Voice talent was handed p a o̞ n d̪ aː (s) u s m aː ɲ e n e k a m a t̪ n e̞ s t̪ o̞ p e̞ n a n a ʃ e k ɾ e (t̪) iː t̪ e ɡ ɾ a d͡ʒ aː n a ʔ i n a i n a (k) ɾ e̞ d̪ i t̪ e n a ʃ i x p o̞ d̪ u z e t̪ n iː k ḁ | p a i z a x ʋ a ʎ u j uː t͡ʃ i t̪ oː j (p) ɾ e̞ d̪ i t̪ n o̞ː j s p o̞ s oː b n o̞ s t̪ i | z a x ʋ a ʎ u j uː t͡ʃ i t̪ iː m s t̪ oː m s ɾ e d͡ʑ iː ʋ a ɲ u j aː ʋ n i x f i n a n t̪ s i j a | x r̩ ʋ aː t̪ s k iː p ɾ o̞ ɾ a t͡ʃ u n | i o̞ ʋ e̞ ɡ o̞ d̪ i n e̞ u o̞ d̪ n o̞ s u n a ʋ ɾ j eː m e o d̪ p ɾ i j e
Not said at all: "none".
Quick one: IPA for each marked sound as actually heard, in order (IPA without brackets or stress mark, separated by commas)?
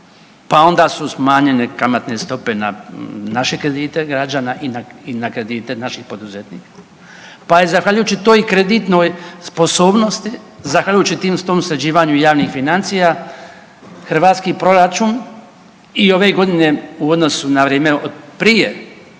s, d̪, k, k